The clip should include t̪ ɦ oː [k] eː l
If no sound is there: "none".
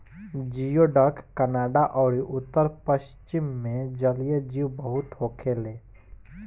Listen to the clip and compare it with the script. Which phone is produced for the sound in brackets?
kʰ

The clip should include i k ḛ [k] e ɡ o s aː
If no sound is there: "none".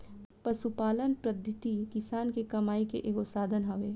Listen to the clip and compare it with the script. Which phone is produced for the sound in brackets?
ʔ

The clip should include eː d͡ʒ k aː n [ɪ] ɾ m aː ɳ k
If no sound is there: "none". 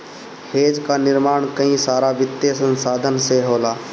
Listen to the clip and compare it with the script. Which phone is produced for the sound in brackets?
ɪ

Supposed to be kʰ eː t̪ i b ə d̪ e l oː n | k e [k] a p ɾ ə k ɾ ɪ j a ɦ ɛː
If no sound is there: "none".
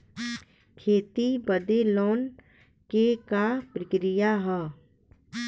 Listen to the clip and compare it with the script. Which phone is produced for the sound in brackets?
k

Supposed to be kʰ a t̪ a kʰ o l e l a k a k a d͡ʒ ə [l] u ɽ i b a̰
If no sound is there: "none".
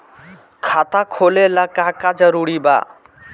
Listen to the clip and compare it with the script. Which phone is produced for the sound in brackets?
ɾ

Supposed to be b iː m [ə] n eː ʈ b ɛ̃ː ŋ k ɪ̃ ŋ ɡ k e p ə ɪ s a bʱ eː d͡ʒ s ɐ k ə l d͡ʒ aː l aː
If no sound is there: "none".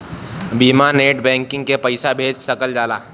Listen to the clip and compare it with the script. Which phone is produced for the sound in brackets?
a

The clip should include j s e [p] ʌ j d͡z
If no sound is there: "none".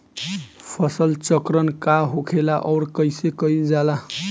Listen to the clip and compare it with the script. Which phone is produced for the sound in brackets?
k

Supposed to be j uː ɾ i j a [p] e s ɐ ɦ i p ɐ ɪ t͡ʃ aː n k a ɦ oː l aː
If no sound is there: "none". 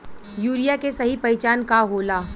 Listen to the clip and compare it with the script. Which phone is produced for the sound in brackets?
k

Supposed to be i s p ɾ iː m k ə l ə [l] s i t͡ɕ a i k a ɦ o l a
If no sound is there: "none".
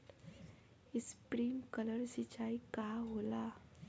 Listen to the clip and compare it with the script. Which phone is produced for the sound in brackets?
ɾ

